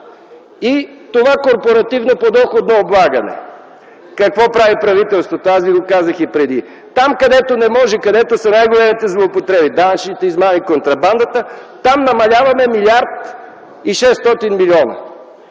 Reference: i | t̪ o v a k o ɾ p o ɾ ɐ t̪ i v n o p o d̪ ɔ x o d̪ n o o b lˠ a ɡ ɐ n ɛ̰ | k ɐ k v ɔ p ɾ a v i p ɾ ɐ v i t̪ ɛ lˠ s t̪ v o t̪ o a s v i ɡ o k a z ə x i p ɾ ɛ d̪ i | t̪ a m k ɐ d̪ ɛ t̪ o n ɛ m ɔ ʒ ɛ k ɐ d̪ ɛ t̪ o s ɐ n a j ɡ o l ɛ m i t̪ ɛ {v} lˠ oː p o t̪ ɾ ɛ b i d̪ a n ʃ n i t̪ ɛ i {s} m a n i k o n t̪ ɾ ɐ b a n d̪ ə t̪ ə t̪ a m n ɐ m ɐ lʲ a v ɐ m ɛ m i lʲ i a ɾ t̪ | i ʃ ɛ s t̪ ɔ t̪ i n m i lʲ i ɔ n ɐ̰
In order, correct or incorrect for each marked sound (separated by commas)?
incorrect, incorrect